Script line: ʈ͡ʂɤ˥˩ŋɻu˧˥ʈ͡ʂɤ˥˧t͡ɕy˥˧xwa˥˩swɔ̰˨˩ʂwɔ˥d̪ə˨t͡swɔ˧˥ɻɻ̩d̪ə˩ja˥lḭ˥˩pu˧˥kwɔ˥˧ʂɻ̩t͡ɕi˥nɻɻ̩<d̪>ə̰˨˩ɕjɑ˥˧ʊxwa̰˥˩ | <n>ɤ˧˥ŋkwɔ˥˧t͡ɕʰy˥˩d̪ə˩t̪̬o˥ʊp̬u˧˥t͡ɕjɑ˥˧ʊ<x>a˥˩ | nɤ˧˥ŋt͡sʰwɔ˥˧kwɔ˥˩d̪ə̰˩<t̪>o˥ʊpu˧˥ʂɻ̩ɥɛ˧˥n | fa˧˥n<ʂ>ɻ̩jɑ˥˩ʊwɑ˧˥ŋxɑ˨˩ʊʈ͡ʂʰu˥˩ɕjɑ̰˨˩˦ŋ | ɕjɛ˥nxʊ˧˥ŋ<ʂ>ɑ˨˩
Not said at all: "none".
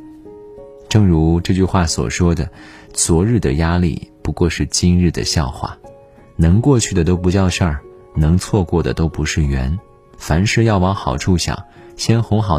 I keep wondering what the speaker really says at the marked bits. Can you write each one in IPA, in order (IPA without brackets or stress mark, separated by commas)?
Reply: d̪, n, ʂ, t̪, ʂ, x